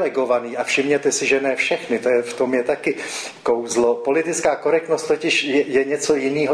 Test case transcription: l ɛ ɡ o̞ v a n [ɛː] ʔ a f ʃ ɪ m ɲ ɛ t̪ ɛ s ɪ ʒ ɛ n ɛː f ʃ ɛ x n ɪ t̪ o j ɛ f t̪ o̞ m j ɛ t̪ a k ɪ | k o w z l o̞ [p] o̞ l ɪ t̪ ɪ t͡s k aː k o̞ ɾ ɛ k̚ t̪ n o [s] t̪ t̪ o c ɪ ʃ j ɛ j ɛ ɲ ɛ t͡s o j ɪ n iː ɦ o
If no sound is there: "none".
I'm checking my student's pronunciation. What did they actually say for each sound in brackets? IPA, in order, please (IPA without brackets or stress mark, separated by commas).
iː, p, s